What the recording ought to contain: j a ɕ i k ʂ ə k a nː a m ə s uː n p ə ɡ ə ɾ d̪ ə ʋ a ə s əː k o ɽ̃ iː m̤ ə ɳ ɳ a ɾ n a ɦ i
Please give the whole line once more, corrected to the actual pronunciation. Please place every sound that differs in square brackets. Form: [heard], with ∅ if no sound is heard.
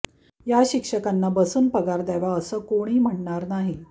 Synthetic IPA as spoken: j a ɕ i k ʂ ə k a nː a [b] ə s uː n p ə ɡ [a] ɾ d̪ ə ʋ a ə s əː k o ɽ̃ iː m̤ ə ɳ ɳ a ɾ n a ɦ i